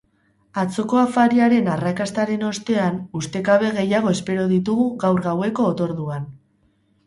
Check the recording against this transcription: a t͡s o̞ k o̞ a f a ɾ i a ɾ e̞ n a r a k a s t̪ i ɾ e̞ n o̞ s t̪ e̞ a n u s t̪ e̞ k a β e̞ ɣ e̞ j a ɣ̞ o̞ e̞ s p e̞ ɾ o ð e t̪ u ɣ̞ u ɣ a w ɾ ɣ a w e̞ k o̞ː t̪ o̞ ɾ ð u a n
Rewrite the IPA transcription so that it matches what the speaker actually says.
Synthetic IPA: a t͡s o̞ k o̞ a f a ɾ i a ɾ e̞ n a r a k a s t̪ a ɾ e̞ n o̞ s t̪ e̞ a n u s t̪ e̞ k a β e̞ ɣ e̞ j a ɣ̞ o̞ e̞ s p e̞ ɾ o ð i t̪ u ɣ̞ u ɣ a w ɾ ɣ a w e̞ k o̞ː t̪ o̞ ɾ ð u a n